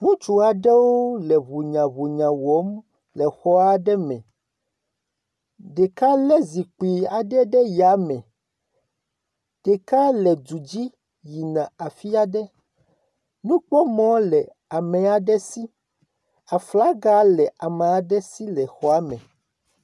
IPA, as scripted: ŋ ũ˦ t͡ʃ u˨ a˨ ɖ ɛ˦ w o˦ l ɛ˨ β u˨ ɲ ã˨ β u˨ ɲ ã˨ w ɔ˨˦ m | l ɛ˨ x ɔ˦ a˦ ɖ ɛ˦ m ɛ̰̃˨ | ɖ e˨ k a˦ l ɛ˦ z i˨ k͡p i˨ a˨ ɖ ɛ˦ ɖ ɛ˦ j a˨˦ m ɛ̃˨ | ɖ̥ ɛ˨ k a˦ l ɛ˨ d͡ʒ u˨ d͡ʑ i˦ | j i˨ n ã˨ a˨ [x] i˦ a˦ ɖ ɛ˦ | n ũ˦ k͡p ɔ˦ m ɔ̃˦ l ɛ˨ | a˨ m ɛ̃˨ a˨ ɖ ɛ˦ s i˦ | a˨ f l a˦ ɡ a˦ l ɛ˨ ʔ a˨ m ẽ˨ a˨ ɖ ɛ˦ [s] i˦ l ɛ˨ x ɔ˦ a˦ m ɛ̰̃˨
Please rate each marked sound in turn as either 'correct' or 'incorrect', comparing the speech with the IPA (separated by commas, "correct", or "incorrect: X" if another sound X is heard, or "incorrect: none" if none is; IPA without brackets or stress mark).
incorrect: f, correct